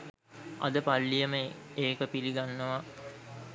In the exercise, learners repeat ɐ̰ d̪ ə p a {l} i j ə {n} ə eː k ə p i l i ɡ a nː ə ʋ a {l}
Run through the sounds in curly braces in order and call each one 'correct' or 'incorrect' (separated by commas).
incorrect, incorrect, incorrect